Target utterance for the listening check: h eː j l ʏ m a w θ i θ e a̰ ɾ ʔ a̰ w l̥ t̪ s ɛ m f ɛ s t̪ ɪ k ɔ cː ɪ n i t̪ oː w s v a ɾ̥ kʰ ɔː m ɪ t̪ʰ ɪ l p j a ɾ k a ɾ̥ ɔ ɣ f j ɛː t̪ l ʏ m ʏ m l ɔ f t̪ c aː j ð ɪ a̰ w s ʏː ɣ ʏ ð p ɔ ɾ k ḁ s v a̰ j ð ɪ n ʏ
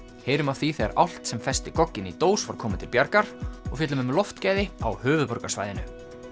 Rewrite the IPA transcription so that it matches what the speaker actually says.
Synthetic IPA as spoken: h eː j ɾ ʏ m a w θ i θ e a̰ ɾ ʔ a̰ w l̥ t̪ s ɛ m f ɛ s t̪ ɪ k ɔ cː ɪ n i t̪ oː w s v a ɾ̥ kʰ ɔː m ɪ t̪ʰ ɪ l p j a ɾ k a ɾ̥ ɔ ɣ f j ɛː t̪ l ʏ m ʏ m l ɔ f t̪ c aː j ð ɪ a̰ w h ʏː v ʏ ð p ɔ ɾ k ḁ s v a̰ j ð ɪ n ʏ

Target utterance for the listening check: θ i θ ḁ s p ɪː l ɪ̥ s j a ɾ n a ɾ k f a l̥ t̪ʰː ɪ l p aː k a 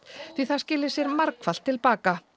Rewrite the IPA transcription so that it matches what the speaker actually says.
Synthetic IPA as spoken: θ i θ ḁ s c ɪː l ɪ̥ s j ɛ ɾ m a ɾ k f a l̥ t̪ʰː ɪ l p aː k a

